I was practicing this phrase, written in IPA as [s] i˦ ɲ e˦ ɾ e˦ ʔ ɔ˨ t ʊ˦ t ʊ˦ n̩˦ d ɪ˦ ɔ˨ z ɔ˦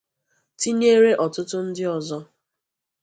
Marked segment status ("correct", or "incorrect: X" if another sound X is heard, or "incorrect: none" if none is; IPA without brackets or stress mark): incorrect: t